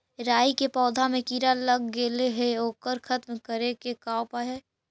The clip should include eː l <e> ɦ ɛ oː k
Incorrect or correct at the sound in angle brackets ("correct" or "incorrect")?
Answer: correct